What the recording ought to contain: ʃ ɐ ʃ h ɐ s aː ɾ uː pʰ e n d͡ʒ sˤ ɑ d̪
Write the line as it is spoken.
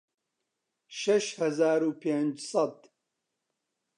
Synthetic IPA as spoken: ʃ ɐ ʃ h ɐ z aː ɾ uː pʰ e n d͡ʒ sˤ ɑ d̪